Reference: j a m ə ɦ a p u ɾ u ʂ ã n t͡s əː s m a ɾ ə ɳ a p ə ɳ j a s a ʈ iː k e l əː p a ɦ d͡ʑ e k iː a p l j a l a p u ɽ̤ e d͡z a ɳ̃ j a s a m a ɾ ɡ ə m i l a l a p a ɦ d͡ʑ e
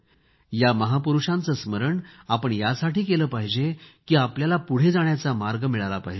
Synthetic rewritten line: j a m ə ɦ a p u ɾ u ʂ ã n t͡s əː s m ə ɾ ə ɳ a p ə ɳ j a s a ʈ iː k e l əː p a ɦ d͡ʑ e k iː a p l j a l a p u ɽ̤ e d͡z a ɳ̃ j a t͡s a m a ɾ ɡ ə m i ɭ a l a p a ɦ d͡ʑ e